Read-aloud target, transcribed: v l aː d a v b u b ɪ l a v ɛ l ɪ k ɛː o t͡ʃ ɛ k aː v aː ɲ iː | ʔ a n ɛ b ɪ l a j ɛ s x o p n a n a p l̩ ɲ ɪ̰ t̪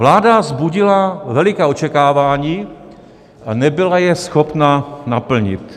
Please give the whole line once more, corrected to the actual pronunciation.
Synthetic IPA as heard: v l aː d a z b u ɟ ɪ l a v ɛ l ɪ k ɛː o t͡ʃ ɛ k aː v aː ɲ iː | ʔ a n ɛ b ɪ l a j ɛ s x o p n a n a p l̩ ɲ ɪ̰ t̪